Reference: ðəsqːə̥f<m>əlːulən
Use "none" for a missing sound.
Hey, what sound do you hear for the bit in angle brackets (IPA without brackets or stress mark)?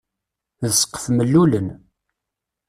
m